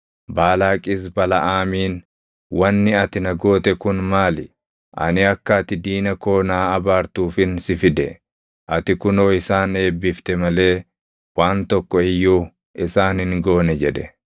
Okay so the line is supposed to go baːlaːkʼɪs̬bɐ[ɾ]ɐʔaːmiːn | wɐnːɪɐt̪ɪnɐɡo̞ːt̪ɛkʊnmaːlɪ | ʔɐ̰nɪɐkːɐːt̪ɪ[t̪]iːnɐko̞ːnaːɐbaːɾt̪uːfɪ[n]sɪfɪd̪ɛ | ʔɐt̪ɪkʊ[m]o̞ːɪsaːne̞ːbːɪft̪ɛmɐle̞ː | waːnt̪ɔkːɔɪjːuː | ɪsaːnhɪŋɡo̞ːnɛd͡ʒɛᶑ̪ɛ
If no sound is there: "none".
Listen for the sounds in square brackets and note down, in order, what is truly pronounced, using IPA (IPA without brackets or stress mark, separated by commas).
l, d̪, n, n